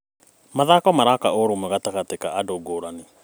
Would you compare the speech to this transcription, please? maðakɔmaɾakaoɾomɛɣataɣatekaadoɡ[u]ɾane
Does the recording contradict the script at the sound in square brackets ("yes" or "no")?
yes